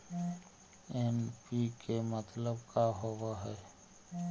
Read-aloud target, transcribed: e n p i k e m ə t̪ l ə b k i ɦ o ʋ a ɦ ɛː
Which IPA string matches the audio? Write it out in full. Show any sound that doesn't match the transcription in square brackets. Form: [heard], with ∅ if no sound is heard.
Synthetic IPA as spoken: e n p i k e m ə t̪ l ə b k [a] ɦ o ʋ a ɦ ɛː

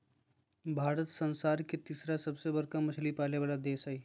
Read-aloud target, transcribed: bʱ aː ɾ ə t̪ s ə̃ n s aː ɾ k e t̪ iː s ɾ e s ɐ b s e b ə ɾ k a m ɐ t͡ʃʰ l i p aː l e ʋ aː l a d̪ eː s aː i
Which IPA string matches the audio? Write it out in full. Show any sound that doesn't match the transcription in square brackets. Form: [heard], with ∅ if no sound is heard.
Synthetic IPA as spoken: bʱ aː ɾ ə t̪ s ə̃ n s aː ɾ k e t̪ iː s ɾ [a] s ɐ b s e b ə ɾ k a m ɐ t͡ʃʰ l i p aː l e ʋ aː l a d̪ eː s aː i

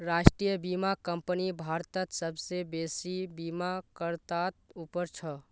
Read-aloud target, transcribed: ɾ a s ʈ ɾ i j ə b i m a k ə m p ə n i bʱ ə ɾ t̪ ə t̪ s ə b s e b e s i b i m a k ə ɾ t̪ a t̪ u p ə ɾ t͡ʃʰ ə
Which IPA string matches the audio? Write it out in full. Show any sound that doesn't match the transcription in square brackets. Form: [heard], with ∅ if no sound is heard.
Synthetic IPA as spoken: ɾ a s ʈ ɾ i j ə b i m a k ə m p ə n i bʱ [a] ɾ t̪ ə t̪ s ə b s e b e s i b i m a k ə ɾ t̪ a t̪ u p ə ɾ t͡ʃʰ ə

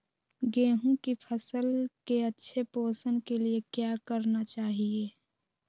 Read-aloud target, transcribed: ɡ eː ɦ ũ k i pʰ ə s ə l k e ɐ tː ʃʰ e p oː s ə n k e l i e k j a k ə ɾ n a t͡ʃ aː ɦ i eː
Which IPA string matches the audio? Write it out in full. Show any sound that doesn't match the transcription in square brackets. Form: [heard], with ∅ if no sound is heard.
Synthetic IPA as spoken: ɡ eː ɦ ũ k i pʰ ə s ə l k e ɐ tː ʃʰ e p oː s ə n k e l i e k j a k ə ɾ n a t͡ʃ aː ɦ i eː

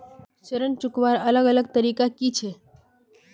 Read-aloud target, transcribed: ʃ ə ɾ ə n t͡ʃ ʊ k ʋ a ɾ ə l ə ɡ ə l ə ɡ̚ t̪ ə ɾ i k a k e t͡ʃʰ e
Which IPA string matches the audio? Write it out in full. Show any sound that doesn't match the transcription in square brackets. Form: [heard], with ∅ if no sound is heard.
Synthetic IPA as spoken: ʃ ə ɾ ə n t͡ʃ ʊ k ʋ a ɾ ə l ə ɡ ə l ə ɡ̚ t̪ ə ɾ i k a k [i] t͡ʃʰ e

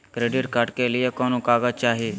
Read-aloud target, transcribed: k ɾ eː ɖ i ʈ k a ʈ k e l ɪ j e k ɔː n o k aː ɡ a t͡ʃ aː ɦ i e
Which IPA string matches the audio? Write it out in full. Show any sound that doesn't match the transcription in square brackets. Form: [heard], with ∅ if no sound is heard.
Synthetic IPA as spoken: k ɾ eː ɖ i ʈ k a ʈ k e l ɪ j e k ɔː n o k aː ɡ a t͡ʃ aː ɦ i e

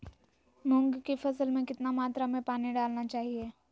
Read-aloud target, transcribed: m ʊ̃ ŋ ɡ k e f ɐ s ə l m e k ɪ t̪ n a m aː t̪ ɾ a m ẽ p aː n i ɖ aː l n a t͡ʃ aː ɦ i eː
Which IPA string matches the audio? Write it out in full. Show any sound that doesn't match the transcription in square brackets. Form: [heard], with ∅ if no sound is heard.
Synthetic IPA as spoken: m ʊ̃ ŋ ɡ k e f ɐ s ə l m [ẽ] k ɪ t̪ n a m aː t̪ ɾ a m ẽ p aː n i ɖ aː l n a t͡ʃ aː ɦ i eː

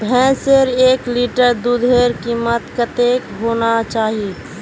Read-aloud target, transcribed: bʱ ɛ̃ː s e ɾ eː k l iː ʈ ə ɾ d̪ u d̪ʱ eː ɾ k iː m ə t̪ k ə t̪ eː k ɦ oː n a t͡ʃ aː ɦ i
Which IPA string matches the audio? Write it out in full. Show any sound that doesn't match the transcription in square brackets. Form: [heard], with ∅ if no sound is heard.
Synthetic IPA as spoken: bʱ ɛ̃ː s e ɾ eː k l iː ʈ ə ɾ d̪ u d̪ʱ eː ɾ k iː m ə t̪ k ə t̪ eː k ɦ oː n a t͡ʃ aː ɦ i

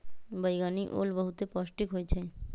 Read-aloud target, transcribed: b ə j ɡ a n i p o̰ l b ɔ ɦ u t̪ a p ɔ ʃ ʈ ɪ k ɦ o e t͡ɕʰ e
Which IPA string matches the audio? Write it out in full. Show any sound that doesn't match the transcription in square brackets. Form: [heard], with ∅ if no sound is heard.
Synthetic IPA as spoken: b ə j ɡ a n i [ʔ] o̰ l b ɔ ɦ u t̪ [e] p ɔ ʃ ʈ [i] k ɦ o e t͡ɕʰ e

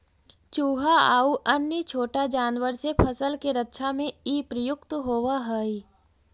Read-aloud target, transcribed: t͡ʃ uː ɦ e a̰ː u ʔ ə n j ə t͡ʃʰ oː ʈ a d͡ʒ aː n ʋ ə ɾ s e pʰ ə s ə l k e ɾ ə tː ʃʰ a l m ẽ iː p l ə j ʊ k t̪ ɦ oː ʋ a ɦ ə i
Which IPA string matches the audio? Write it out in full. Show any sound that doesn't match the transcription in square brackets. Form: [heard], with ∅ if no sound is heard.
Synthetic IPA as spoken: t͡ʃ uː ɦ [a] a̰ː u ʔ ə n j ə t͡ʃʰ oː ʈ a d͡ʒ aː n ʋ ə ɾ s e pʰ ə s ə l k e ɾ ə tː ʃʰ a [∅] m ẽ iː p [ɾ] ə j ʊ k t̪ ɦ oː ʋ a ɦ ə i

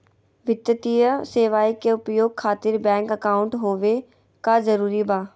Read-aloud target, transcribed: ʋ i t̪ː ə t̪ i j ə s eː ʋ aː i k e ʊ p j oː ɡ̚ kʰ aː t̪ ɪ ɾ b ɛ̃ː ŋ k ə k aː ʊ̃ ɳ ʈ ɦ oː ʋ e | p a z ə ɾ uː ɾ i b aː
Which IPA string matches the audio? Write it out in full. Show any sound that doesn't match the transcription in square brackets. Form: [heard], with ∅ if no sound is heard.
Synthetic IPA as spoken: ʋ [ɪ] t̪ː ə t̪ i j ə s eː ʋ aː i k e ʊ p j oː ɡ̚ kʰ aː t̪ ɪ ɾ b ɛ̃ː ŋ k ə k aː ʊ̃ ɳ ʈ ɦ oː ʋ e | [k] a z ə ɾ uː ɾ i b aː

